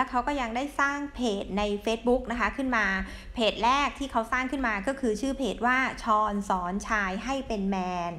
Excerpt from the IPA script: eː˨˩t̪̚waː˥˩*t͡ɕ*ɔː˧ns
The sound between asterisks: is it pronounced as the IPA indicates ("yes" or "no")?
no